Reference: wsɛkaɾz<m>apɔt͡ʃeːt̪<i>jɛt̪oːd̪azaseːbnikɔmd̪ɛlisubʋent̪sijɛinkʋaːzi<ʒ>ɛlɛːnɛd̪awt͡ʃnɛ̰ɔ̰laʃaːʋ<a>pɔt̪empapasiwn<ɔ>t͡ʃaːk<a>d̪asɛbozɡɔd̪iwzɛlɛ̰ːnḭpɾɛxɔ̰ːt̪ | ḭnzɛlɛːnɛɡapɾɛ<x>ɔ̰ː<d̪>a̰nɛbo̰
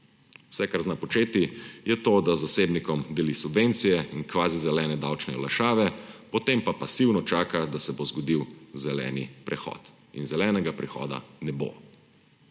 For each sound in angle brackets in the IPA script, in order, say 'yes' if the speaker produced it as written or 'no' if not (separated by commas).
no, yes, no, no, yes, yes, yes, yes